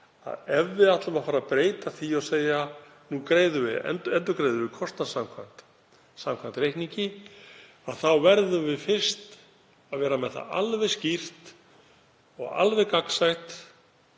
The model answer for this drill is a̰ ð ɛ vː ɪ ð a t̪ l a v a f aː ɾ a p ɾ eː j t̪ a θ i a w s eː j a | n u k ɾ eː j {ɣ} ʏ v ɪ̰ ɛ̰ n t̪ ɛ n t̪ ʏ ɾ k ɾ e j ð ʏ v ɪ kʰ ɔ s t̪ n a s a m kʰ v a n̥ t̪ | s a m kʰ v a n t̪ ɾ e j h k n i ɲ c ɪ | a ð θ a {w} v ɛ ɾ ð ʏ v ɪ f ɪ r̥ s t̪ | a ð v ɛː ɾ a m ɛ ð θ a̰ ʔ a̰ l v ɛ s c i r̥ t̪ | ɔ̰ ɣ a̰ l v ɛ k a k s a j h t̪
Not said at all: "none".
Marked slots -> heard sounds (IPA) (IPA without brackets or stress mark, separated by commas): ð, w